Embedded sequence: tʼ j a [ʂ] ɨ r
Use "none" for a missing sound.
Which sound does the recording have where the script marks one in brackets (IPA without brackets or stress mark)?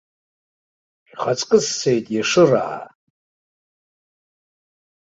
ʂ